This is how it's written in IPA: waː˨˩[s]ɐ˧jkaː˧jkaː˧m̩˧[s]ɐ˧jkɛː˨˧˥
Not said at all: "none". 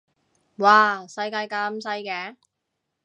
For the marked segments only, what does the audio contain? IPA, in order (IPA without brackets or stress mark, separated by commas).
s, s